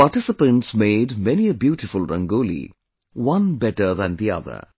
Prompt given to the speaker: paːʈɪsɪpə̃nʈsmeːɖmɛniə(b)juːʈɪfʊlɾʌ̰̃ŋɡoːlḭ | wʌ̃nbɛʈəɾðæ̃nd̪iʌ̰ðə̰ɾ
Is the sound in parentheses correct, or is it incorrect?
correct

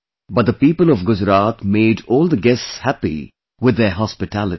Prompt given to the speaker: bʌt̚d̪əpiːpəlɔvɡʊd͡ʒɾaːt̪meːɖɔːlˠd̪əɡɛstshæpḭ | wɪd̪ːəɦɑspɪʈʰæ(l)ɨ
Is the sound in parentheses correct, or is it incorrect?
correct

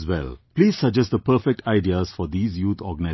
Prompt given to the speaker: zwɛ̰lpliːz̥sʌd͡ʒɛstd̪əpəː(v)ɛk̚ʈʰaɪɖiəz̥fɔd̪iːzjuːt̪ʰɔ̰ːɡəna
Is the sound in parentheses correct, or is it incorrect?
incorrect: f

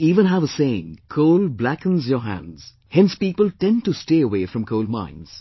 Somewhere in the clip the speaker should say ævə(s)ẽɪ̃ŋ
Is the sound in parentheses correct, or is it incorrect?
correct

